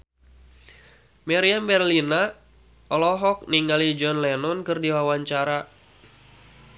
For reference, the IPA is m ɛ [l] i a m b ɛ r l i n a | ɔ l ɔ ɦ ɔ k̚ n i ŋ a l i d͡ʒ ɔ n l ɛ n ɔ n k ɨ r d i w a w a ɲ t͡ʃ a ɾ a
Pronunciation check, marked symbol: incorrect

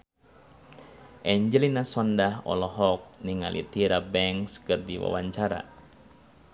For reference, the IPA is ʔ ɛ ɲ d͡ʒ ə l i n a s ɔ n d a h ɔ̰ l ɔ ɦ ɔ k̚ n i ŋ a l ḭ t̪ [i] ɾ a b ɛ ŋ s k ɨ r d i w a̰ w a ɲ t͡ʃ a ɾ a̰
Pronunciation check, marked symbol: correct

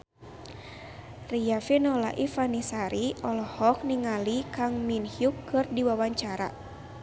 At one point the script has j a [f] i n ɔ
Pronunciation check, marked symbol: correct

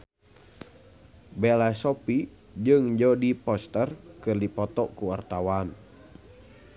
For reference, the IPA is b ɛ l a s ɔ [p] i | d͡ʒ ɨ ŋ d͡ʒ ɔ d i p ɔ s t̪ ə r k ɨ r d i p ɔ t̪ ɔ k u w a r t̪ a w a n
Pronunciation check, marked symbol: correct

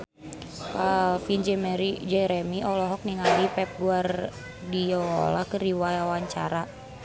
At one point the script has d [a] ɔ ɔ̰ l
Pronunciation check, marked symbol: incorrect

